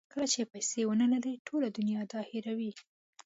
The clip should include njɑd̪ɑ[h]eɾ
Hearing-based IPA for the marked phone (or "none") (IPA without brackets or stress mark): h